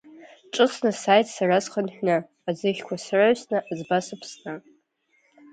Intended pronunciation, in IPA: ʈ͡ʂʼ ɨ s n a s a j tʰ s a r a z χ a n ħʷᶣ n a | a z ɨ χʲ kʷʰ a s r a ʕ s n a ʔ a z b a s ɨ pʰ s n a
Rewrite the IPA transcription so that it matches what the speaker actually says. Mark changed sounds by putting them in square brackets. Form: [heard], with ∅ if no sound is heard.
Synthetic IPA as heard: ʈ͡ʂʼ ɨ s n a s a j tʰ s a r a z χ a n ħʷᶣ n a | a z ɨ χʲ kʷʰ a s r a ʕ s n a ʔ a z b a s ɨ pʰ s n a